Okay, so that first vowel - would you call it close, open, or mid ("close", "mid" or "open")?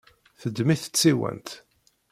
mid